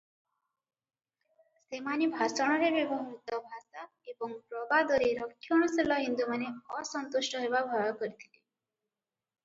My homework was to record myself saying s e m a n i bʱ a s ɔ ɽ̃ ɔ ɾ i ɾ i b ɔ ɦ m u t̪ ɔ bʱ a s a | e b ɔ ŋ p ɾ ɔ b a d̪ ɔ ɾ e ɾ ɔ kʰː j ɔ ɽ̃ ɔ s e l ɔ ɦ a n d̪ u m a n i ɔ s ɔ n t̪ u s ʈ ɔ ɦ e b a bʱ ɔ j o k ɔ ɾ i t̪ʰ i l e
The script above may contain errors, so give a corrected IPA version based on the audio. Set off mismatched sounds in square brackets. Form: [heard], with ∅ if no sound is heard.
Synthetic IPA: s e m a n i bʱ a s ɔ ɽ̃ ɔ ɾ [e] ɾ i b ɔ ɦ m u t̪ ɔ bʱ a s a | e b ɔ ŋ p ɾ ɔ b a d̪ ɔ ɾ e ɾ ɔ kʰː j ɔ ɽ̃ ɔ s e l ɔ ɦ [i] n d̪ u m a n [e] ɔ s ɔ n t̪ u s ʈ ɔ ɦ e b a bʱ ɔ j [ɔ] k ɔ ɾ i t̪ʰ i l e

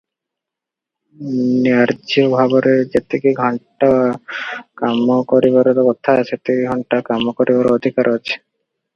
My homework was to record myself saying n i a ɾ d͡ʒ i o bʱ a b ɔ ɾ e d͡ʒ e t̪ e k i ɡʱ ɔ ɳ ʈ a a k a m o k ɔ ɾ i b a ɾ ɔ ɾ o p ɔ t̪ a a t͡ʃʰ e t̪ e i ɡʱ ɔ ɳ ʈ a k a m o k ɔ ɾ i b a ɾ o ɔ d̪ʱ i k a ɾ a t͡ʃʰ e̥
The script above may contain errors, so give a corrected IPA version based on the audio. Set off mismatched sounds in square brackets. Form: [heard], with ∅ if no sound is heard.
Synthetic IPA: n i a ɾ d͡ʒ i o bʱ a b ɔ ɾ e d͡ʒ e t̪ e k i ɡʱ ɔ ɳ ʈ a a k a m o k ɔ ɾ i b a ɾ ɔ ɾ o [k] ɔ [t̪ʰ] a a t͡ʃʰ e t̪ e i ɡʱ ɔ ɳ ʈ a k a m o k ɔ ɾ i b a ɾ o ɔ d̪ʱ i k a ɾ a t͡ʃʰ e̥

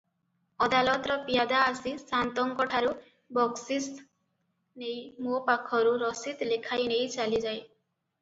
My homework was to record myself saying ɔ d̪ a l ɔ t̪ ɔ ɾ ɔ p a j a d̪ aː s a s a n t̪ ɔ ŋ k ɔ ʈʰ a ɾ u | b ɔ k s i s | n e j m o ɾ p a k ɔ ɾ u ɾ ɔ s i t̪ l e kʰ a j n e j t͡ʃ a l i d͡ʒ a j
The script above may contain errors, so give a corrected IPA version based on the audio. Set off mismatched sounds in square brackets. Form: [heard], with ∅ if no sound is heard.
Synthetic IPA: ɔ d̪ a l ɔ t̪ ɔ ɾ ɔ p [i] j a d̪ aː s [i] s a n t̪ ɔ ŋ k ɔ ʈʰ a ɾ u | b ɔ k s i s | n e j m o [∅] p a [kʰ] ɔ ɾ u ɾ ɔ s i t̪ l e kʰ a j n e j t͡ʃ a l i d͡ʒ a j

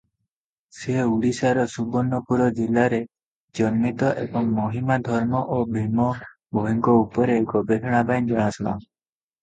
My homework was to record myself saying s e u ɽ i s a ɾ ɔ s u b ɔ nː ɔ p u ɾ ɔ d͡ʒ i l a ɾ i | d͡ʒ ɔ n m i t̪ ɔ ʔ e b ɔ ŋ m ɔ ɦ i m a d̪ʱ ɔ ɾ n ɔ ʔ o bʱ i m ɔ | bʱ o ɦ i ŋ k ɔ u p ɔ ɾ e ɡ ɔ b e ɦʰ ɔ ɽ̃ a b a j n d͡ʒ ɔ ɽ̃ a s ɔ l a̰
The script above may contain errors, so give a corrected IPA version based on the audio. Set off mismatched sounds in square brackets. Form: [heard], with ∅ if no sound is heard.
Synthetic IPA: s e u ɽ i s a ɾ ɔ s u b ɔ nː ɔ p u ɾ ɔ d͡ʒ i l a ɾ [e] | d͡ʒ ɔ n m i t̪ ɔ ʔ e b ɔ ŋ m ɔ ɦ i m a d̪ʱ ɔ ɾ [m] ɔ ʔ o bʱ i m ɔ | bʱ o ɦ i ŋ k ɔ u p ɔ ɾ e ɡ ɔ b e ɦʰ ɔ ɽ̃ a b a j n d͡ʒ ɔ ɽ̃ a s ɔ l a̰

